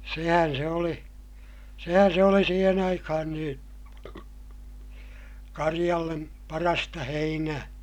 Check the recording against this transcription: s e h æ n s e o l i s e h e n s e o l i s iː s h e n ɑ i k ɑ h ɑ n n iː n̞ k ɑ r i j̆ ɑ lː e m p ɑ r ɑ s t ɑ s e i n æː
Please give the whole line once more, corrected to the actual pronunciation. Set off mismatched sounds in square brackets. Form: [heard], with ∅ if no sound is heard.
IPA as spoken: s e h æ n s e o l i s e h [æ] n s e o l i s iː [∅] h e n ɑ i k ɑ h ɑ n n iː n̞ k ɑ r i j̆ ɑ lː e m p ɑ r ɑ s t ɑ [h] e i n æː